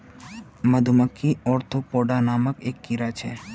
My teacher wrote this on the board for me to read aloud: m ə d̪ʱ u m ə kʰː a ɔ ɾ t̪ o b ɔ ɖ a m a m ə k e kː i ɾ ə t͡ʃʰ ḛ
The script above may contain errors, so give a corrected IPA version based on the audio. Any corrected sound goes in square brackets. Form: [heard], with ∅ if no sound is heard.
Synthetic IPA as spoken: m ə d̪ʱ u m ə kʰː [i] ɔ ɾ [t̪ʰ] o [p] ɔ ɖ a [n] a m ə k e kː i ɾ [a] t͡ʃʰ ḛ